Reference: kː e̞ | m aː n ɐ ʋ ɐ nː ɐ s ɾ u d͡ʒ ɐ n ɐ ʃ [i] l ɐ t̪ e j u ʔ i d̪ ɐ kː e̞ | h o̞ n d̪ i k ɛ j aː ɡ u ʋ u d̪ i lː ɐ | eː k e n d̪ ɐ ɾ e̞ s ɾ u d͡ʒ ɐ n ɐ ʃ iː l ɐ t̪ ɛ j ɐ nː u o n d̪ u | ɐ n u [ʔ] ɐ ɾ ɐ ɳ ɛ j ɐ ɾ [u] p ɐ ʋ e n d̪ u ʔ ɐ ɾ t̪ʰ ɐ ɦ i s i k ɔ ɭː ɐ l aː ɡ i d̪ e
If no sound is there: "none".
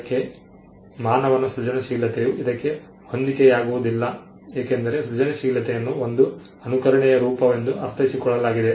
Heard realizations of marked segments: iː, k, uː

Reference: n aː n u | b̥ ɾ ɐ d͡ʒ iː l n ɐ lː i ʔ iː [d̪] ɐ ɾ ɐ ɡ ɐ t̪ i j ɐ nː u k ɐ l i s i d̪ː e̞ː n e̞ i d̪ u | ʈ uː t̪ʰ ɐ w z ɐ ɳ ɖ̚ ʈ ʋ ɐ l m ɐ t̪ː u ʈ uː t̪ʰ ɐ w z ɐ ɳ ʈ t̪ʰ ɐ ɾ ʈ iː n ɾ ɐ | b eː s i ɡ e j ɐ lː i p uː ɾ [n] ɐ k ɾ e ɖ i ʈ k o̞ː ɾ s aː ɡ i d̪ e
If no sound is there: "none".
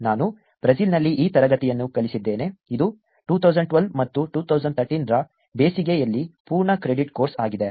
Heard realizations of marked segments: t̪, ɳ

